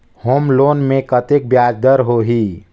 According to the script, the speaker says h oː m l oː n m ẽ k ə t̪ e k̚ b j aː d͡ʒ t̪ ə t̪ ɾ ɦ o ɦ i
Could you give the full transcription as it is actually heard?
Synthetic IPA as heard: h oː m l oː n m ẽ k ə t̪ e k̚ b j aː d͡ʒ d̪ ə ɾ ɦ o ɦ i